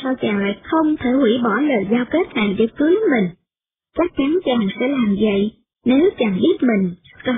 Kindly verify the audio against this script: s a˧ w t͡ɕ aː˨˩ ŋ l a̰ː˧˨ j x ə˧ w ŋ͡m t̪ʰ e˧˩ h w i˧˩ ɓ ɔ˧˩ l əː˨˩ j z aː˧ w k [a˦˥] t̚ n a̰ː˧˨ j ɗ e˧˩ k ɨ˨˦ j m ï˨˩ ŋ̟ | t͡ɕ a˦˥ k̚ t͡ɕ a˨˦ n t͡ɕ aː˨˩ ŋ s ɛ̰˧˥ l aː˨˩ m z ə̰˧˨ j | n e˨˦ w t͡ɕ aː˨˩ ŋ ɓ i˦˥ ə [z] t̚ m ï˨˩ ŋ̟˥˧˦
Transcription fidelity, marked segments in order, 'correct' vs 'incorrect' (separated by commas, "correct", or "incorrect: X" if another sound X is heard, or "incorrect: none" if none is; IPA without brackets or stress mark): incorrect: e˦˥, incorrect: none